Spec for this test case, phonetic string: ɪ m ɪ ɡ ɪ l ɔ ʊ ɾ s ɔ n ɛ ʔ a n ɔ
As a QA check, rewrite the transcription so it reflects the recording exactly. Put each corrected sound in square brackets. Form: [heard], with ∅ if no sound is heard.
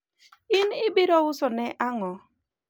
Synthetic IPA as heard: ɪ [n] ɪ [b] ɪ [ɾ] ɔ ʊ [∅] s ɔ n ɛ ʔ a [ŋ] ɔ